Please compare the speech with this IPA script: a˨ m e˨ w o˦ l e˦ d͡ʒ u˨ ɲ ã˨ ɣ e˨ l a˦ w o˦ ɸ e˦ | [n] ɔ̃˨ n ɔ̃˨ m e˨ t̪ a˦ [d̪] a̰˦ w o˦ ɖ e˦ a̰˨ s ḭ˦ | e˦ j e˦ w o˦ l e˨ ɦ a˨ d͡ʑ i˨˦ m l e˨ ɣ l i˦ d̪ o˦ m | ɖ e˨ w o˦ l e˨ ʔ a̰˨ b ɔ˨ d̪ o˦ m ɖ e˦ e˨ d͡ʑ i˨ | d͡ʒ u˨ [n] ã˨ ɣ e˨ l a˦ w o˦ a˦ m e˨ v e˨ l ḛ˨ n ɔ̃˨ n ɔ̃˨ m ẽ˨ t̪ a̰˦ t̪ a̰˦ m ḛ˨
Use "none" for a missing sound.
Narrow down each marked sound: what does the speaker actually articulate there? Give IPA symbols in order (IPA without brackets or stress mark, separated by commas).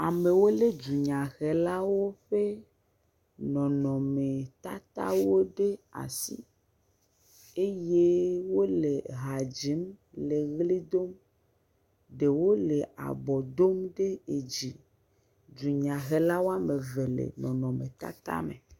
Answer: n, t̪, ɲ